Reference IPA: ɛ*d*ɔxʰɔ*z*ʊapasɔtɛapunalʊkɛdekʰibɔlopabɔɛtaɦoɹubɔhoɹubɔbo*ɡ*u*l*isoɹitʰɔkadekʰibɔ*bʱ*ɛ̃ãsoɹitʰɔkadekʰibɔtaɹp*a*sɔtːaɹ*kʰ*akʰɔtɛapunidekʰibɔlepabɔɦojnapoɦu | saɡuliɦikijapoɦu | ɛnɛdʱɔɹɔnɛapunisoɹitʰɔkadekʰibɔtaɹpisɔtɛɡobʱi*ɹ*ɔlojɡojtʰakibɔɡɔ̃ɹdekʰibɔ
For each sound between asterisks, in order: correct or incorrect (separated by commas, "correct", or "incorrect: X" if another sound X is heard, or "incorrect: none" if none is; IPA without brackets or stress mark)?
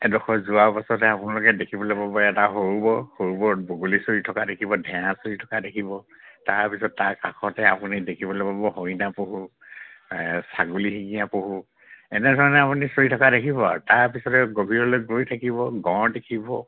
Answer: correct, correct, correct, correct, incorrect: dʱ, incorrect: i, incorrect: k, correct